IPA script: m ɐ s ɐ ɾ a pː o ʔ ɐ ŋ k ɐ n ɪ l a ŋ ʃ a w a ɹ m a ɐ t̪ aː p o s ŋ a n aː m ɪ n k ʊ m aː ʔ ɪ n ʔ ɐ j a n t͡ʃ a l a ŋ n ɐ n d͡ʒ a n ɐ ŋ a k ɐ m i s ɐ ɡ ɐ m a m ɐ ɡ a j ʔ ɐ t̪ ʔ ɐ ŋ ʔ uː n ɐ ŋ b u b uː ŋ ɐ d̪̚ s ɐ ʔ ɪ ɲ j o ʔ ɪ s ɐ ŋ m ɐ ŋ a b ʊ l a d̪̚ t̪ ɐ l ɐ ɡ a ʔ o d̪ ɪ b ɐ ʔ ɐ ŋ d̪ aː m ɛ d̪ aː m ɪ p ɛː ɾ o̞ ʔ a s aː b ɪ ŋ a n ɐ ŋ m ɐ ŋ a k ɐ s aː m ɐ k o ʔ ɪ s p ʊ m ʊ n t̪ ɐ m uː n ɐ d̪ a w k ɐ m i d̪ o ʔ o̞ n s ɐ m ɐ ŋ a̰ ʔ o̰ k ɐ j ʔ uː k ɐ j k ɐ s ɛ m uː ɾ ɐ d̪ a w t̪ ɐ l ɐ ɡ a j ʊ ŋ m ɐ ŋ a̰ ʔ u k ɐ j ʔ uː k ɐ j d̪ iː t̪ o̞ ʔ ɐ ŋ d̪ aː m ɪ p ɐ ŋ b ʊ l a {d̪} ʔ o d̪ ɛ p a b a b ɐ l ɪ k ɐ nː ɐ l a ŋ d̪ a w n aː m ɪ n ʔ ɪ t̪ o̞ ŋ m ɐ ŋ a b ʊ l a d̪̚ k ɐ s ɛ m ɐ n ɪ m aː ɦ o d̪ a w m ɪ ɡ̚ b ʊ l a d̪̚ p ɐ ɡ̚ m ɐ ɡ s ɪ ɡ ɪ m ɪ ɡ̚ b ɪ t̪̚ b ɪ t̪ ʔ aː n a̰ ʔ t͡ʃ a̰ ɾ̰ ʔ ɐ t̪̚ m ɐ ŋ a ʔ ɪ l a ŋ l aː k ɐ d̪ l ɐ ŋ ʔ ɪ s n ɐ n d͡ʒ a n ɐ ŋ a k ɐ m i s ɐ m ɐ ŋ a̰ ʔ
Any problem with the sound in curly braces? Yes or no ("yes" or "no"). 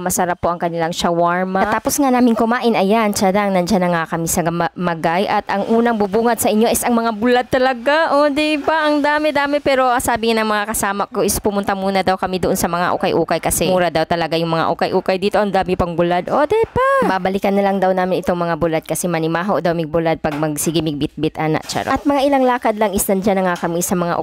no